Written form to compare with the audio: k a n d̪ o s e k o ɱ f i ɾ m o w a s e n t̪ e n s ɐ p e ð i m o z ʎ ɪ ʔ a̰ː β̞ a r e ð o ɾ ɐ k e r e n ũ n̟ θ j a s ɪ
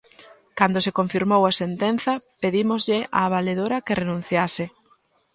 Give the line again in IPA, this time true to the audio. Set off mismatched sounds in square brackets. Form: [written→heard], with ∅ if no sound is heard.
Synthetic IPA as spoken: k a n d̪ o s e k o ɱ f i ɾ m o w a s e n t̪ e n [s→θ] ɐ p e ð i m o z ʎ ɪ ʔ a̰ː β̞ a [r→l] e ð o ɾ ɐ k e r e n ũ n̟ θ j a s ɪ